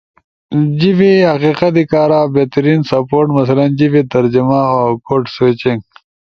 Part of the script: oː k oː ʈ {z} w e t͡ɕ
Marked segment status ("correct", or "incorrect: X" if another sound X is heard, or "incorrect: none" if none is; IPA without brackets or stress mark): incorrect: s